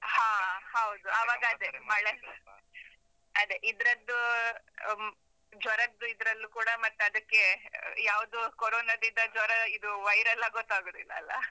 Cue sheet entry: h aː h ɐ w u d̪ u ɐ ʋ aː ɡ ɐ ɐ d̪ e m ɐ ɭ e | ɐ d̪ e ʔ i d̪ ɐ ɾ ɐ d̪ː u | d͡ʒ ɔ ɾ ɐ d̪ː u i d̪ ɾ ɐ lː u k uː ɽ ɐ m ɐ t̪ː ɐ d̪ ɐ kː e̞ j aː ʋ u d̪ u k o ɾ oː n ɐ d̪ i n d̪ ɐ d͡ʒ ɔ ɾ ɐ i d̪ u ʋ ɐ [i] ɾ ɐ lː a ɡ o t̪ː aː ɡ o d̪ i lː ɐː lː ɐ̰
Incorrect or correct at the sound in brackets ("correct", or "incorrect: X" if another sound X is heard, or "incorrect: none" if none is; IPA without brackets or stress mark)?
incorrect: j